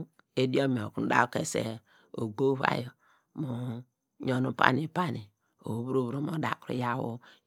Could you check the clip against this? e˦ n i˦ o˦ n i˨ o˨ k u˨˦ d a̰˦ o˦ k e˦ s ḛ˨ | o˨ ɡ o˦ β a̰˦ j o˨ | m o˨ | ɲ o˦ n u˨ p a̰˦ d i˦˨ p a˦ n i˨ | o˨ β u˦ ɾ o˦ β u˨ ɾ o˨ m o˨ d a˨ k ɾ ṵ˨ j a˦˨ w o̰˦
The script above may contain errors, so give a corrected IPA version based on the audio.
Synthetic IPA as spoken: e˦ d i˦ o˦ m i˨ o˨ k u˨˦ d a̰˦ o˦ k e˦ s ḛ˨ | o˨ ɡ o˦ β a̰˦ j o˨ | m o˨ | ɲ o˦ n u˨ p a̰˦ n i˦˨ p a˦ n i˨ | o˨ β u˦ ɾ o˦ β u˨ ɾ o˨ m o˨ d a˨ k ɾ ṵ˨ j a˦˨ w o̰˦